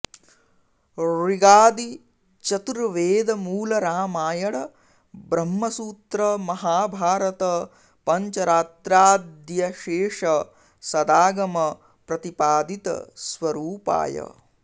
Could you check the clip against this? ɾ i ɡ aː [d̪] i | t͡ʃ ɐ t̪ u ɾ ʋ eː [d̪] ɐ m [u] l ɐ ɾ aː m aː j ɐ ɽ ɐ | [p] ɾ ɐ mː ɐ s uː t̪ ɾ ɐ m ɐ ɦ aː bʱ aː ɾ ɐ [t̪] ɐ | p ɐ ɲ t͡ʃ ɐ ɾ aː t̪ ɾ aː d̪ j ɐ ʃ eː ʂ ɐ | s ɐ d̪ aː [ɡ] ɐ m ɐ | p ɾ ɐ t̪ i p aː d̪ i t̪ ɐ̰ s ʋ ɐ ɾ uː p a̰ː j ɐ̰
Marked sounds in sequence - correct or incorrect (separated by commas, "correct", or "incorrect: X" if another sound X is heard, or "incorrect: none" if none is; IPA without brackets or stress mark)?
correct, correct, incorrect: uː, incorrect: b, correct, correct